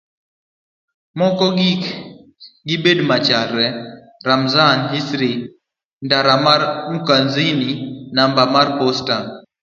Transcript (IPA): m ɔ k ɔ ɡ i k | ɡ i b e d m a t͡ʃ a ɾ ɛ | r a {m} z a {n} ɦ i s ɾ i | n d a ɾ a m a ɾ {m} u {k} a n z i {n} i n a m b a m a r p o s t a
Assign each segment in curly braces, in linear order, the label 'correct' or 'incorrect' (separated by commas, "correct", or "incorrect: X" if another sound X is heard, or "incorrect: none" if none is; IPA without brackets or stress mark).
correct, correct, correct, correct, correct